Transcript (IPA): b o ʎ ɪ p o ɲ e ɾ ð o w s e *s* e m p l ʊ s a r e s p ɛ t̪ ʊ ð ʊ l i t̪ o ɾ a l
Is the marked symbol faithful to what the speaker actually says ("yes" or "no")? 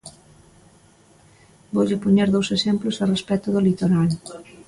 yes